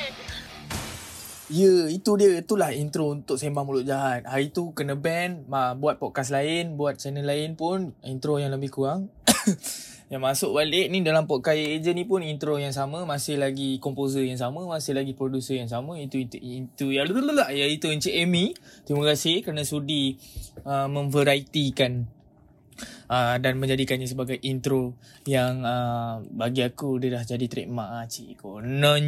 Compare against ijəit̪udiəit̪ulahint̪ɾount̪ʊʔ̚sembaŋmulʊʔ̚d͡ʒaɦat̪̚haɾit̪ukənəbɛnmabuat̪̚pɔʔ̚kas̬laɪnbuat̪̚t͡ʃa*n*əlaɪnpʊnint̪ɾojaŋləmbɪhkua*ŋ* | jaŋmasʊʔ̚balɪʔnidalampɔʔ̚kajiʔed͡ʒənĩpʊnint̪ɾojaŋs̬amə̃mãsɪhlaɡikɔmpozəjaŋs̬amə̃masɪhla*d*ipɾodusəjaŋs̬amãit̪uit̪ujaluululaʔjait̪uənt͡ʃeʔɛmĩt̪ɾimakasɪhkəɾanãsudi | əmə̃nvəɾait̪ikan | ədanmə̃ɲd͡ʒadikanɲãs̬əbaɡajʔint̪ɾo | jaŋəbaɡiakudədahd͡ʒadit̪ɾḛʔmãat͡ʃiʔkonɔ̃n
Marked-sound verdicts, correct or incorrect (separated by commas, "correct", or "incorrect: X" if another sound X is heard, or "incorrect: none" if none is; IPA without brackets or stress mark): correct, correct, incorrect: ɡ